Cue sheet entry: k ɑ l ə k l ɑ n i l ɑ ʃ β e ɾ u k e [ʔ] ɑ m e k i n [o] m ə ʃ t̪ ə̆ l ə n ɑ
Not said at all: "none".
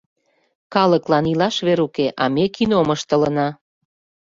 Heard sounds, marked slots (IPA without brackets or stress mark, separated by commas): ʔ, o